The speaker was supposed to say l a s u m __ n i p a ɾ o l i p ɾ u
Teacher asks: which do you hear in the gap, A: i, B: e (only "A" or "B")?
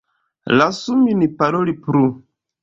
A